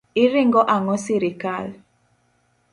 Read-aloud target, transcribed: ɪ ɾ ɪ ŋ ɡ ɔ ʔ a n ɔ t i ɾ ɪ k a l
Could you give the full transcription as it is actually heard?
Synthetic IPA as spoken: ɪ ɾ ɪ ŋ ɡ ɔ ʔ a ŋ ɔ s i ɾ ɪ k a l